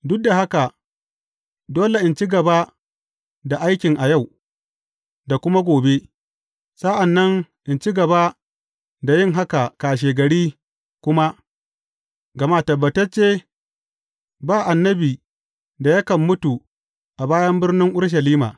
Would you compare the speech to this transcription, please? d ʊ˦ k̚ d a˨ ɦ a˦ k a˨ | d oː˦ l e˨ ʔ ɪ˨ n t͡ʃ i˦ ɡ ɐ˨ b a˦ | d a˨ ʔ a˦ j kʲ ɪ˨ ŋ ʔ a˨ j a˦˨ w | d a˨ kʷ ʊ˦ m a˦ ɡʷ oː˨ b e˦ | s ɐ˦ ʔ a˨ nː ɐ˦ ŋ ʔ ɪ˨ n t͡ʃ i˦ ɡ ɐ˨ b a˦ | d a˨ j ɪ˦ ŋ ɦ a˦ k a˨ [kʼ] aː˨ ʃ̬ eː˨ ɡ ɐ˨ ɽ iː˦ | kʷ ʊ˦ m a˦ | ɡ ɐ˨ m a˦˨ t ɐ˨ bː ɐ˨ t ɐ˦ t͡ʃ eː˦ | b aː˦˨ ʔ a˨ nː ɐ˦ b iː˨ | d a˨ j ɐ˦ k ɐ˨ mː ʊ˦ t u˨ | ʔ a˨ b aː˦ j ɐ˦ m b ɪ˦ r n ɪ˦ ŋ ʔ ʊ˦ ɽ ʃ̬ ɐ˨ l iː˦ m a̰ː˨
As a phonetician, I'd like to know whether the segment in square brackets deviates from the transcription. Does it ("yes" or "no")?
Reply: yes